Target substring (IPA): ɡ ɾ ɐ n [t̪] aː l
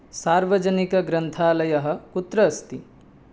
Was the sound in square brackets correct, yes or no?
no